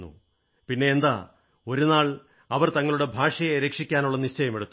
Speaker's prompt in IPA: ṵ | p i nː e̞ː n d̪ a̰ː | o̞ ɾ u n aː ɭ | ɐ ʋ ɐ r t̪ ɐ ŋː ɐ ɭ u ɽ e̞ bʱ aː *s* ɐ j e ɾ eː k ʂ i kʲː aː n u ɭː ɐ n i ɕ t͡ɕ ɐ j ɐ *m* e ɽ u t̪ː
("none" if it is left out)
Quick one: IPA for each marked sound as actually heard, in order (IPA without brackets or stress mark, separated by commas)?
ʂ, m